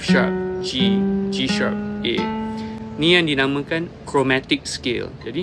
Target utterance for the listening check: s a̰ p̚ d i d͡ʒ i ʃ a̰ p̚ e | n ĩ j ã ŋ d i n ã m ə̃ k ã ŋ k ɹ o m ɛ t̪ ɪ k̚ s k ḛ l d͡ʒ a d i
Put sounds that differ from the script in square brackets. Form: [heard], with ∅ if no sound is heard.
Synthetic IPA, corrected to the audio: [ʃ] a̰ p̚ [d͡ʒ] i d͡ʒ i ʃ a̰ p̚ e | n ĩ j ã ŋ d i n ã m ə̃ k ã [n] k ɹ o m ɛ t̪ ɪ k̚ s k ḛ l d͡ʒ a d i